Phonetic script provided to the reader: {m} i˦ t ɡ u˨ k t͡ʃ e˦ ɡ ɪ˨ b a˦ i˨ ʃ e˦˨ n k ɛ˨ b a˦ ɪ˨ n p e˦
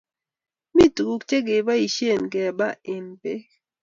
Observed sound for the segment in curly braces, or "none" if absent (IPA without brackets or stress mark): m